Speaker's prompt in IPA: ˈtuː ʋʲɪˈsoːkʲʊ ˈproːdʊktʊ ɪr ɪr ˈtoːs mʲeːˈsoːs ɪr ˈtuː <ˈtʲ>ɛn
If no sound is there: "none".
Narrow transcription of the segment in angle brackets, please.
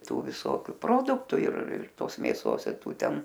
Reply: tʲ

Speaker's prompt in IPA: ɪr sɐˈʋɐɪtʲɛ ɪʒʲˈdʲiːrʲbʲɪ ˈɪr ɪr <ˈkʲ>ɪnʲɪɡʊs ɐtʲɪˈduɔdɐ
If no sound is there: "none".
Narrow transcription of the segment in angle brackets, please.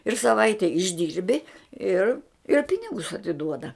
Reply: pʲ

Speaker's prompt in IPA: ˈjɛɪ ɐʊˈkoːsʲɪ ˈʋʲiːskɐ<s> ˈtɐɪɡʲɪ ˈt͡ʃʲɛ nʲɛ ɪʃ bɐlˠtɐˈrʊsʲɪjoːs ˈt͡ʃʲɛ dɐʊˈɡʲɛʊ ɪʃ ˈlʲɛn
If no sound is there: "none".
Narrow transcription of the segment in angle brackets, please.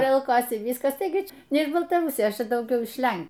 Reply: s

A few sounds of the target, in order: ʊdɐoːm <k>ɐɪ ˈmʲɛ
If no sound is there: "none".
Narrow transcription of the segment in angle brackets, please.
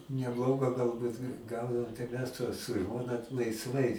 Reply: t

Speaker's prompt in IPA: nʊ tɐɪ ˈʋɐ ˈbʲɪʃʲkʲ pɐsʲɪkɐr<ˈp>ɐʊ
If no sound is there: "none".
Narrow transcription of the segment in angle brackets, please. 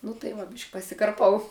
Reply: p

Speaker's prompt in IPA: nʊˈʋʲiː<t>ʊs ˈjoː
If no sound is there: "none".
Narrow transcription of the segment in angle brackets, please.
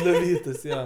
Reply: t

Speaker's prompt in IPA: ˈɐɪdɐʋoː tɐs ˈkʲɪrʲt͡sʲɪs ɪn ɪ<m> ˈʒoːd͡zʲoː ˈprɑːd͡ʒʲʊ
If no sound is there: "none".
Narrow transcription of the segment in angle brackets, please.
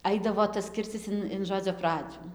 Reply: n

